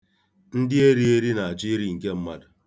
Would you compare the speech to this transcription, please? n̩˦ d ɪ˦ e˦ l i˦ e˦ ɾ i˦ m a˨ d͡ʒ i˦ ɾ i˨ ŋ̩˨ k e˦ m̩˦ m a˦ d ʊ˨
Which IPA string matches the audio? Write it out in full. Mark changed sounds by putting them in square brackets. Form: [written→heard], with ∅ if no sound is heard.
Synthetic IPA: n̩˦ d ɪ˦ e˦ [l→ɾ] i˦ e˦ ɾ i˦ [m→n] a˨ d͡ʒ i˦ ɾ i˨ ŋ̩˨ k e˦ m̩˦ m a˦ d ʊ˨